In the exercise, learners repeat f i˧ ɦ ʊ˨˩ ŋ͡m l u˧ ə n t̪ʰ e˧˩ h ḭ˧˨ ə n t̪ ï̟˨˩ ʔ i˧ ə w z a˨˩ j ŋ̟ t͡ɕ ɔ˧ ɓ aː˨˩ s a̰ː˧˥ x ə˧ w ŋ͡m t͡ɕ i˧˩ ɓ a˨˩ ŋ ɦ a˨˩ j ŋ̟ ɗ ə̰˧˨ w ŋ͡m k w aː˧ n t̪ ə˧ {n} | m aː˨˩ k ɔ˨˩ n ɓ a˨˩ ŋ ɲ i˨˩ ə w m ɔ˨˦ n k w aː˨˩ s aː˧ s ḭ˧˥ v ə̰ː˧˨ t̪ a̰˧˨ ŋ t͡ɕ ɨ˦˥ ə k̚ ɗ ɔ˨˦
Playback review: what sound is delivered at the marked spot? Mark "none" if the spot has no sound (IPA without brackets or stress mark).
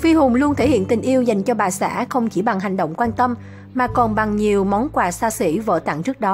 m